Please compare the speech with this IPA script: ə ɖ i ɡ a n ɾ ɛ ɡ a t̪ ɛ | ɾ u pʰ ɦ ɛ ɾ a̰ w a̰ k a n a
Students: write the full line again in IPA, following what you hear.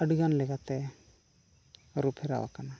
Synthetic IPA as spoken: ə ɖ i ɡ a n l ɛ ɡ a t̪ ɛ | ɾ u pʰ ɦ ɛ ɾ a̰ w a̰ k a n a